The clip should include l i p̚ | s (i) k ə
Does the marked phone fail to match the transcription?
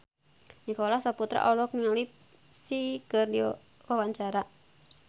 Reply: no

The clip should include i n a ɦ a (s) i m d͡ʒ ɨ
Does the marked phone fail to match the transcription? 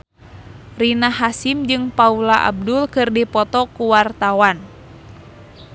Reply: no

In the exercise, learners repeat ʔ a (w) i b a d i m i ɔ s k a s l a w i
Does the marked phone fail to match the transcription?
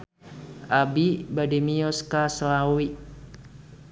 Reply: yes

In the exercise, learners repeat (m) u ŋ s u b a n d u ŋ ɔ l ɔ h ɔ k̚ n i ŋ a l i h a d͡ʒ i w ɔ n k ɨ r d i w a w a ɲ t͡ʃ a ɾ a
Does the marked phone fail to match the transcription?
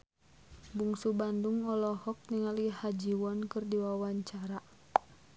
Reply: yes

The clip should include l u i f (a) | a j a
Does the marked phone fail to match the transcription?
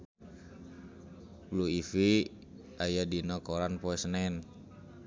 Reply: yes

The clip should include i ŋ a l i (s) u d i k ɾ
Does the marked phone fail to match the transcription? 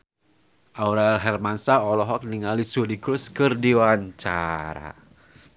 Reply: no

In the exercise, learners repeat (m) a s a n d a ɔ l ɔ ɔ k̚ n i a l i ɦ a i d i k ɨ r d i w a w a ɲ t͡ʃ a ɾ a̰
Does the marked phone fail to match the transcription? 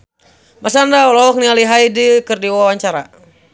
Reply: no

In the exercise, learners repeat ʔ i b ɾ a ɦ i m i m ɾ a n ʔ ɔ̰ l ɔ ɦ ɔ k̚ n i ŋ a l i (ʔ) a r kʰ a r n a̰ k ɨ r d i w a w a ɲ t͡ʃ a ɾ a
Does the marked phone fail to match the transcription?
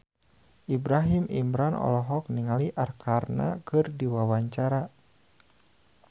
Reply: no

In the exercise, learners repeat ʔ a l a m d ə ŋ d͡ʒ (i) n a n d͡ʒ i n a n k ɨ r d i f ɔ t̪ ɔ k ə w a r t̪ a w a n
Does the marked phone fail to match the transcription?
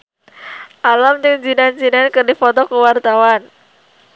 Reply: no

